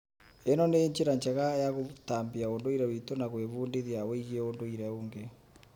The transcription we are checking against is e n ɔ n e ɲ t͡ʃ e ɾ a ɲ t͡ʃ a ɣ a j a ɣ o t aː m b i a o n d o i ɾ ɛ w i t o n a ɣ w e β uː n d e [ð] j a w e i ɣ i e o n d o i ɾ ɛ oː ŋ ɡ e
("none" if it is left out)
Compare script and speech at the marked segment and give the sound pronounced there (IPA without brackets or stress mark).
ð